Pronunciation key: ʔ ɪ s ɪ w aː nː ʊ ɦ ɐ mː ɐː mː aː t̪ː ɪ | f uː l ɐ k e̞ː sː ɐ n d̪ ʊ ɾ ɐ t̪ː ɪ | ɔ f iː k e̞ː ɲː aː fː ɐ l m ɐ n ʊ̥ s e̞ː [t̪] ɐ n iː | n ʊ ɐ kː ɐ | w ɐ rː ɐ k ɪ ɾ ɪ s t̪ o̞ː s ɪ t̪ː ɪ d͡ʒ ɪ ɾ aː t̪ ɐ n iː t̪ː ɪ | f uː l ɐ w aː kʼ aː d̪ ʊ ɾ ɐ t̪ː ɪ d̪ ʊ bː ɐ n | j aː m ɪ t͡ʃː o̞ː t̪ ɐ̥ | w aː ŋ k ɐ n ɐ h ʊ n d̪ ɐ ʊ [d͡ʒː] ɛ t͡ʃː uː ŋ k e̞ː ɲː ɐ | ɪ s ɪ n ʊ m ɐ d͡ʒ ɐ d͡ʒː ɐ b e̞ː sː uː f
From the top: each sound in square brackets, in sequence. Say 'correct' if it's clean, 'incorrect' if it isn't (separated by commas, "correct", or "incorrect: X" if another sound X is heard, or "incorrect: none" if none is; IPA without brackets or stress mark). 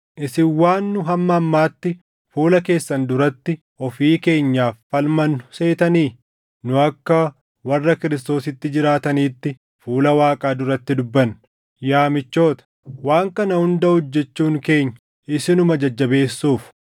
correct, correct